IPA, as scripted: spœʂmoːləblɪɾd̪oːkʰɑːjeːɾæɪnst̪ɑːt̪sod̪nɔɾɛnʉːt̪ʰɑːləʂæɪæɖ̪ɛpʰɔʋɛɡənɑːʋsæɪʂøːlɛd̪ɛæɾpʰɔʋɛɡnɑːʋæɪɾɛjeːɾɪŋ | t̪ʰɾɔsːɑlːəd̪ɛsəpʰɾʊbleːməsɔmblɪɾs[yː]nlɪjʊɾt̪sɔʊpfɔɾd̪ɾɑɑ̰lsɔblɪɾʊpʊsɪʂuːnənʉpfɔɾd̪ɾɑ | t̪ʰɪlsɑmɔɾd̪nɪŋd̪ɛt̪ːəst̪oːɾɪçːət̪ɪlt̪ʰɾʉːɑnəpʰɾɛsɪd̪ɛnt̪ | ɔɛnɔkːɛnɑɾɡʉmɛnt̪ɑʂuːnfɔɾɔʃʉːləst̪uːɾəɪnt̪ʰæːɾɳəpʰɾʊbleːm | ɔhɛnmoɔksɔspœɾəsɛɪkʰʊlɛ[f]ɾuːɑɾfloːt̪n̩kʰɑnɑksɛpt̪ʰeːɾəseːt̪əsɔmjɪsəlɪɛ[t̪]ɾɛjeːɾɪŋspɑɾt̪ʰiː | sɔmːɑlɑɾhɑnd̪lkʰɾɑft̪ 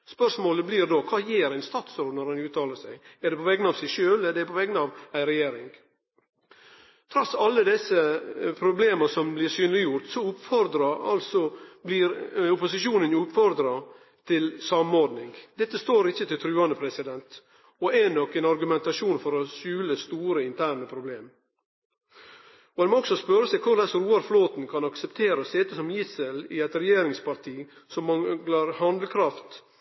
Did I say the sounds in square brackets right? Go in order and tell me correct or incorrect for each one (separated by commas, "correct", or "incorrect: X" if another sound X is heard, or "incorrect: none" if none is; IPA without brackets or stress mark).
correct, incorrect: s, correct